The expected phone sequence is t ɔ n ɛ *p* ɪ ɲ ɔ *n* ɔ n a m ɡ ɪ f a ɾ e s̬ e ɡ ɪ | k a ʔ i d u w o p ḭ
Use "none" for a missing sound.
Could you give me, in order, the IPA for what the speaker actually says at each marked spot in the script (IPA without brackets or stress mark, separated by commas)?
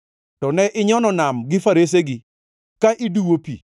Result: ʔ, n